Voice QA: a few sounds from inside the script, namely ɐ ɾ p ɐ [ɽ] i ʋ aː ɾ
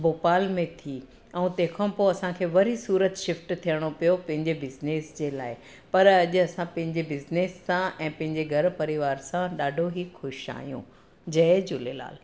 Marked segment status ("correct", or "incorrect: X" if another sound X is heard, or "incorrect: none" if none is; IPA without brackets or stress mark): incorrect: ɾ